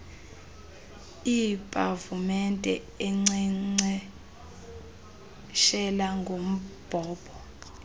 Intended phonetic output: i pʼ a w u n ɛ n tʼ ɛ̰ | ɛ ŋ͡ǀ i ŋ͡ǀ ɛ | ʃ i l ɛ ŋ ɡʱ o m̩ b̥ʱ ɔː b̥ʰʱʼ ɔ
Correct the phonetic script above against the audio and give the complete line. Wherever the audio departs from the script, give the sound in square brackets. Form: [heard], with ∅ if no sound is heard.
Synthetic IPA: i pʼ a [v] u [m] ɛ n tʼ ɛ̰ | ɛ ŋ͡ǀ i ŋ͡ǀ ɛ | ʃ [ɛ] l [a] ŋ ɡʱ o m̩ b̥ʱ ɔː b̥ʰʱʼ ɔ